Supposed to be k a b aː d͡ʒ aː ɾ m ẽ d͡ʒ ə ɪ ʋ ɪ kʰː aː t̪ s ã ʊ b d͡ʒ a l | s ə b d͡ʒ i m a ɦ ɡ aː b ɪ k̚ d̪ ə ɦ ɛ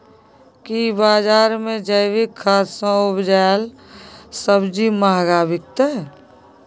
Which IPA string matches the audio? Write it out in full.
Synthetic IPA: k i b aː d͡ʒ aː ɾ m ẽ d͡ʒ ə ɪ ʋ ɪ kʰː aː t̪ s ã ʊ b d͡ʒ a l | s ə b d͡ʒ i m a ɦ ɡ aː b ɪ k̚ t̪ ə ɦ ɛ